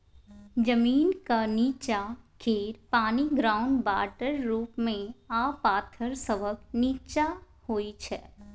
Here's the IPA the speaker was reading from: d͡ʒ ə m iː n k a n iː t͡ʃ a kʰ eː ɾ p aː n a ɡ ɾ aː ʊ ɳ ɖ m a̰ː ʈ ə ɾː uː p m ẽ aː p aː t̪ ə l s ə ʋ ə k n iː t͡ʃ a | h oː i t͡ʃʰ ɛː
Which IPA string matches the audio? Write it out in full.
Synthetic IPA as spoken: d͡ʒ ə m iː n k a n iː t͡ʃ a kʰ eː ɾ p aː n i ɡ ɾ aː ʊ ɳ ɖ b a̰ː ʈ ə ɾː uː p m ẽ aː p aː t̪ʰ ə ɾ s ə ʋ ə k n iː t͡ʃ a | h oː i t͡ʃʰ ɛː

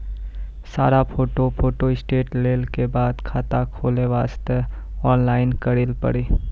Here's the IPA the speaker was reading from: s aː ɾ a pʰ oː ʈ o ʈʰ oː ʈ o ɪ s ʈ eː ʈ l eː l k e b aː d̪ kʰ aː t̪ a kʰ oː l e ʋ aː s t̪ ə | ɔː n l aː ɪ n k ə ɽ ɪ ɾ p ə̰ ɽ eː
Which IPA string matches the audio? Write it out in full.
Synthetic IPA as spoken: s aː ɾ a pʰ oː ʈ o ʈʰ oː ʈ o ɪ s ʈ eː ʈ l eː l k e b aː d̪ kʰ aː t̪ a kʰ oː l e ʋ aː s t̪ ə | ɔː n l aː ɪ n k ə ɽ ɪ l p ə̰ ɽ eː

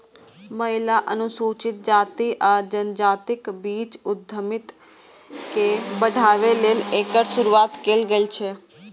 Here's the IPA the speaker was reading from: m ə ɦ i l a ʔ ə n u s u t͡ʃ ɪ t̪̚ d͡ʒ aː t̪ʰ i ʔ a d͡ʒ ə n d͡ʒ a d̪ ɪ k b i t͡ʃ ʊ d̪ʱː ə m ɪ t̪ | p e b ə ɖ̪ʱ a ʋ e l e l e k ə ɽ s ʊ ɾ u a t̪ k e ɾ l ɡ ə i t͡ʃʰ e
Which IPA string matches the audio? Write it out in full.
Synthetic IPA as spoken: m ə ɦ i l a ʔ ə n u s u t͡ʃ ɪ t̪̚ d͡ʒ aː t̪ i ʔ a d͡ʒ ə n d͡ʒ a t̪ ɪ k b i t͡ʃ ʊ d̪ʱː ə m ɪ t̪ | k e b ə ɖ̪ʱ a ʋ e l e l e k ə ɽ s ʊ ɾ u a t̪ k e l ɡ ə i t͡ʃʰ e

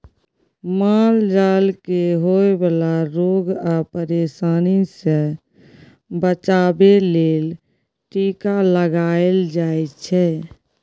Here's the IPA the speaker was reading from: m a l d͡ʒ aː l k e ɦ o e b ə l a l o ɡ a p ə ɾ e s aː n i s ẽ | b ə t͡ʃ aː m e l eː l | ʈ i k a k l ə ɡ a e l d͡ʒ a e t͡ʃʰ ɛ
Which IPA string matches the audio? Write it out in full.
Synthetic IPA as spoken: m a l d͡ʒ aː l k e ɦ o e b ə l a ɾ o ɡ a p ə ɾ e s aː n i s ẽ | b ə t͡ʃ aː b e l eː l | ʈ i k a l ə ɡ a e l d͡ʒ a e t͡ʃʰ ɛ

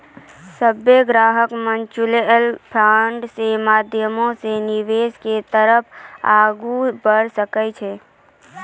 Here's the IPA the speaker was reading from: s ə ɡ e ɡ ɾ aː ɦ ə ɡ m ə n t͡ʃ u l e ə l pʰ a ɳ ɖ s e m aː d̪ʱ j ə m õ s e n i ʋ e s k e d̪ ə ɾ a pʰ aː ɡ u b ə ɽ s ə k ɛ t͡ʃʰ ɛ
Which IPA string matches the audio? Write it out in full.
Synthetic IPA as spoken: s ə b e ɡ ɾ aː ɦ ə k m ə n t͡ʃ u l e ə l pʰ a ɳ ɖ s e m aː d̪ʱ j ə m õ s e n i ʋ e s k e t̪ ə ɾ ə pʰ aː ɡ u b ə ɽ s ə k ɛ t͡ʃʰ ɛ

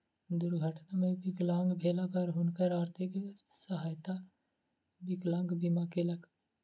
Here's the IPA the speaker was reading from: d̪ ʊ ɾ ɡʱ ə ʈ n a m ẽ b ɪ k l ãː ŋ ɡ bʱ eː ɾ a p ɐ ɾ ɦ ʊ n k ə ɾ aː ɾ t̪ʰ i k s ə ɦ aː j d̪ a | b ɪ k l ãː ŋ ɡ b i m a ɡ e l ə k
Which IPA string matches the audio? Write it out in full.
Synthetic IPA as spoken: d̪ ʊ ɾ ɡʱ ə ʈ n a m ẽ b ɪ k l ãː ŋ ɡ bʱ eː l a p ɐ ɾ ɦ ʊ n k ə ɾ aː ɾ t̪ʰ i k s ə ɦ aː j t̪ a | b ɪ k l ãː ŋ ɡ b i m a k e l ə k

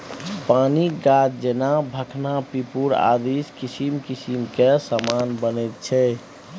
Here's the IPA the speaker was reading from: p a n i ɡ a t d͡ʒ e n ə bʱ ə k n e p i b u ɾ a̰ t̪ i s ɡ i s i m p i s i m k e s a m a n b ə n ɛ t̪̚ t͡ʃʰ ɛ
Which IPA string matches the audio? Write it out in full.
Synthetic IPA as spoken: p a n i ɡ a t d͡ʒ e n a bʱ ə kʰ n a p i p u ɾ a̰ d̪ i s k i s i m k i s i m k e s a m a n b ə n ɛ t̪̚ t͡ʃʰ ɛ

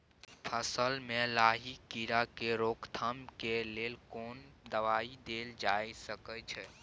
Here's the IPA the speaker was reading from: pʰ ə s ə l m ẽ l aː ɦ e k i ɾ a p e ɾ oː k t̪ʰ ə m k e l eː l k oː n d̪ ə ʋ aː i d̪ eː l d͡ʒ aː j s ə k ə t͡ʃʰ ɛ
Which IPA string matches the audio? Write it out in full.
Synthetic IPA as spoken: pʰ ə s ə l m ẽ l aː ɦ i k i ɾ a k e ɾ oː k t̪ʰ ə m k e l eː l k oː n d̪ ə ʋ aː i d̪ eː l d͡ʒ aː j s ə k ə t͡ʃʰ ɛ

